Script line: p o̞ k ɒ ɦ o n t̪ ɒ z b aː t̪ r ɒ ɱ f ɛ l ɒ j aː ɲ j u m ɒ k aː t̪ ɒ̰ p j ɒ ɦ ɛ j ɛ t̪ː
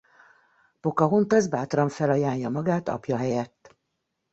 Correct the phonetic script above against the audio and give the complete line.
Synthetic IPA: p o̞ k ɒ ɦ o n t̪ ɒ z b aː t̪ r ɒ ɱ f ɛ l ɒ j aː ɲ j ɒ m ɒ ɡ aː t̪ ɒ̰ p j ɒ ɦ ɛ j ɛ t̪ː